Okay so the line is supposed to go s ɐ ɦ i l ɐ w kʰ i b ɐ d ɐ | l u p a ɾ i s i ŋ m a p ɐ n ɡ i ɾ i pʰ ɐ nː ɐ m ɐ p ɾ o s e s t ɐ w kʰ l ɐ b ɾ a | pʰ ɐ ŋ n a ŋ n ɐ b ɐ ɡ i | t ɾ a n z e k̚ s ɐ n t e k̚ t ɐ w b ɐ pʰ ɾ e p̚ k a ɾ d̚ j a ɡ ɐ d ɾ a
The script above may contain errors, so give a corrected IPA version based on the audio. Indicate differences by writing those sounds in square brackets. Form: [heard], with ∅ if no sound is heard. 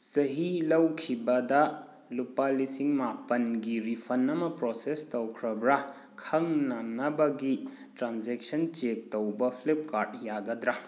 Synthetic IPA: s ɐ ɦ i l ɐ w kʰ i b ɐ d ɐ | l u p a [l] i s i ŋ m a p ɐ n ɡ i ɾ i pʰ ɐ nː ɐ m ɐ p ɾ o s e s t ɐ w kʰ [ɾ] ɐ b ɾ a | [kʰ] ɐ ŋ n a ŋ n ɐ b ɐ ɡ i | t ɾ a n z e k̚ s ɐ n [t͡ʃ] e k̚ t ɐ w b ɐ pʰ [l] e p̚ k a ɾ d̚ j a ɡ ɐ d ɾ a